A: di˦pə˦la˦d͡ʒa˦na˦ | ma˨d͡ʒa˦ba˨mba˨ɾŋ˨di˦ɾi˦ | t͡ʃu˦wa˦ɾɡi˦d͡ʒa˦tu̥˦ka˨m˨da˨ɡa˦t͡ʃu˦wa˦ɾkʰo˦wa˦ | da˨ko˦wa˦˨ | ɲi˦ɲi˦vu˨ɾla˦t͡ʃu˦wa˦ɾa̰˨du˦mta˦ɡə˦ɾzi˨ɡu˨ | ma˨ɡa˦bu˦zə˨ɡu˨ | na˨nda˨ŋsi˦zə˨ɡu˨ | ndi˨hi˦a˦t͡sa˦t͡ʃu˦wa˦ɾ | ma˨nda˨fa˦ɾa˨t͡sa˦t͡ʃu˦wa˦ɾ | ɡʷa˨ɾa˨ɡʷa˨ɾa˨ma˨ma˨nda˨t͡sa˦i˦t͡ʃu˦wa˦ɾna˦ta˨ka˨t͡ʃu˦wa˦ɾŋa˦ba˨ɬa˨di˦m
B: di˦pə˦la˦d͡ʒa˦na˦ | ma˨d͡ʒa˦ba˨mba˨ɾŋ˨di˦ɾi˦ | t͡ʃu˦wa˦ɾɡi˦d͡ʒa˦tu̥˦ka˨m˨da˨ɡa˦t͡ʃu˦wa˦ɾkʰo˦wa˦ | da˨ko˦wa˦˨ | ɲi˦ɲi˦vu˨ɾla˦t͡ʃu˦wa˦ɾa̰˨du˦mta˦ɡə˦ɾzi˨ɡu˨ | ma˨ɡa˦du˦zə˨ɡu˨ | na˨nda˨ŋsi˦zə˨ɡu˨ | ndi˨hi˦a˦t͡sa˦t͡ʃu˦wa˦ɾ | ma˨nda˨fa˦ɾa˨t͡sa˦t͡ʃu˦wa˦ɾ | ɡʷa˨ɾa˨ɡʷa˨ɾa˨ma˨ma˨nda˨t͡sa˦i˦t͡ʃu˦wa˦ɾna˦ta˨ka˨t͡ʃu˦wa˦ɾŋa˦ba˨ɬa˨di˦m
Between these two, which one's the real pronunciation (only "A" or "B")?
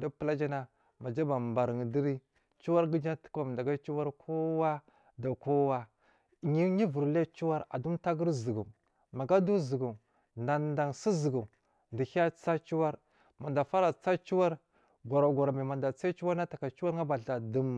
B